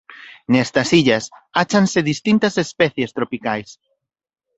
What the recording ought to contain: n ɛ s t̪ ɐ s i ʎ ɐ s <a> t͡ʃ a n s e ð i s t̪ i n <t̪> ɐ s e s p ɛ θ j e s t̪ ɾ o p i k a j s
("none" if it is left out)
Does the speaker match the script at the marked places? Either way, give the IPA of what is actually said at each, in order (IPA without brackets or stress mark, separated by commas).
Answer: a, t̪